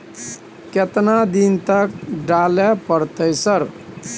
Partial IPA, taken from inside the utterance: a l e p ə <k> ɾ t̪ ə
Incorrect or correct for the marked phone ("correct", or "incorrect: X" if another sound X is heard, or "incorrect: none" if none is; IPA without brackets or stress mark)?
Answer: incorrect: none